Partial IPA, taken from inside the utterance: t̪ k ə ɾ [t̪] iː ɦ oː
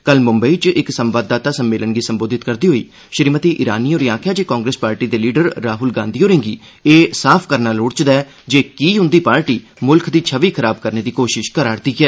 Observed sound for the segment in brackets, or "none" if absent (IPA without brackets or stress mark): d̪